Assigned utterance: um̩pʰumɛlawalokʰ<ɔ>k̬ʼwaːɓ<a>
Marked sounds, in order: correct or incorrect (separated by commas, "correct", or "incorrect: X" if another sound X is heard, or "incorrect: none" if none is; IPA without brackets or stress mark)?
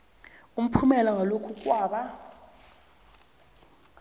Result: incorrect: u, correct